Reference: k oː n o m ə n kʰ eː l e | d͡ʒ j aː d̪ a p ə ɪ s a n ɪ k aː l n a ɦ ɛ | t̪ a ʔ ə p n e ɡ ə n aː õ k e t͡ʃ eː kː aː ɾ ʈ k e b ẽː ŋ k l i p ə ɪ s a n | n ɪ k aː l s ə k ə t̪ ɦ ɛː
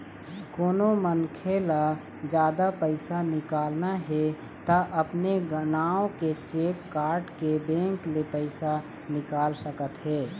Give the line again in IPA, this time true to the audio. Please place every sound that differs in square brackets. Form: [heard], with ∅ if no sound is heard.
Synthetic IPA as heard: k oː n o m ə n kʰ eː l [a] | d͡ʒ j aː d̪ a p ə ɪ s a n ɪ k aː l n a ɦ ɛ | t̪ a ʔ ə p n e ɡ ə n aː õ k e t͡ʃ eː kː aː ɾ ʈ k e b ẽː ŋ k l [e] p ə ɪ s a [∅] | n ɪ k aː l s ə k ə t̪ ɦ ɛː